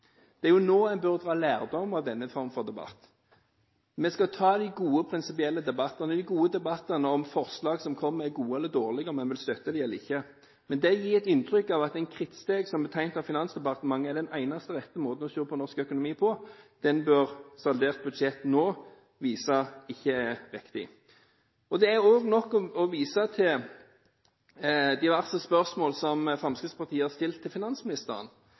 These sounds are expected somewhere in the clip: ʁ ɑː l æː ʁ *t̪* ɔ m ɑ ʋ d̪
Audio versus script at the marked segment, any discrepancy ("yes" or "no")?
yes